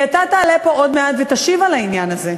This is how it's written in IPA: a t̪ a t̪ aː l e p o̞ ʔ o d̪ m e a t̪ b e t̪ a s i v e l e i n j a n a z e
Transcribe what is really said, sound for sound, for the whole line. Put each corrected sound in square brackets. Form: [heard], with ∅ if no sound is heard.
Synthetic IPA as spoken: a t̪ a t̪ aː l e p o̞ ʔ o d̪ m e a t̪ [v] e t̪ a [ʃ] i v [a] l [a] i n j a n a z e